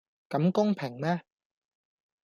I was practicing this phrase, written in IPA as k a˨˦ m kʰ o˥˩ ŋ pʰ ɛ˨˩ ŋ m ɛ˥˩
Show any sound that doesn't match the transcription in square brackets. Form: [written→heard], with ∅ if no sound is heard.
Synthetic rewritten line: k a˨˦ m [kʰ→k] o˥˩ ŋ pʰ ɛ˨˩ ŋ m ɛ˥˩